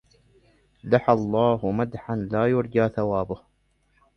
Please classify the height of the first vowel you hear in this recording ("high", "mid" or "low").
low